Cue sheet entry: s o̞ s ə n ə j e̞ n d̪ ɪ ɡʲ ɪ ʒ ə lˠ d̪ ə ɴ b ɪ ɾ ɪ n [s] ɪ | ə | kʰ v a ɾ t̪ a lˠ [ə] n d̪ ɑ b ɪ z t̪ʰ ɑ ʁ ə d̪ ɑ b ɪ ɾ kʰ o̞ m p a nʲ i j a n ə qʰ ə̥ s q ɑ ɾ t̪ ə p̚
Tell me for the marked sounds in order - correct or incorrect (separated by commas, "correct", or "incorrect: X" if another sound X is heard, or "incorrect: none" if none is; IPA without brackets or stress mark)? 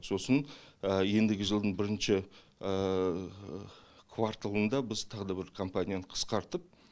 incorrect: ʃ, correct